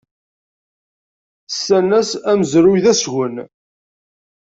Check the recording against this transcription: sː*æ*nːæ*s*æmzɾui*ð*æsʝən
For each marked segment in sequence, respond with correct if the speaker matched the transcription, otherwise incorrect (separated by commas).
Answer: correct, correct, correct